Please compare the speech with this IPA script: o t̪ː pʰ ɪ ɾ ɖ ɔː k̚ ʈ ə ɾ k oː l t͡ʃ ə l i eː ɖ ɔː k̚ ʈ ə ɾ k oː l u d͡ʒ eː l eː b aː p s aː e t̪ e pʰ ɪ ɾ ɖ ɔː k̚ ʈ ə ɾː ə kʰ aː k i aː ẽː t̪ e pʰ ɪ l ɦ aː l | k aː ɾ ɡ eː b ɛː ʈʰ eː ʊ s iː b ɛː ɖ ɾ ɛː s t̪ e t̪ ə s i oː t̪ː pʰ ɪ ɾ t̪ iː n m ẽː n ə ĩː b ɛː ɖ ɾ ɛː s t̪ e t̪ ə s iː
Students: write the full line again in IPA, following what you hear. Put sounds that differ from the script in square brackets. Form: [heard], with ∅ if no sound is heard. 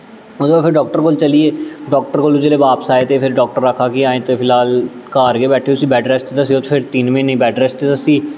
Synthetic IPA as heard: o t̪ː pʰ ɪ ɾ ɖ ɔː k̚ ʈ ə ɾ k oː l t͡ʃ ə l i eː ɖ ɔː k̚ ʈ ə ɾ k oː l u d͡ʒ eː l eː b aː p s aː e t̪ e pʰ ɪ ɾ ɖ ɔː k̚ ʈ ə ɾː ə kʰ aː k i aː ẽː t̪ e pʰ ɪ l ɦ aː l | k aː ɾ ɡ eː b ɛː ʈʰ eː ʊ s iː b ɛː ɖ ɾ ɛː s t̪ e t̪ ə s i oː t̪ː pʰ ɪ ɾ t̪ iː n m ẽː n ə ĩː b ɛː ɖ ɾ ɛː s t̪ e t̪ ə s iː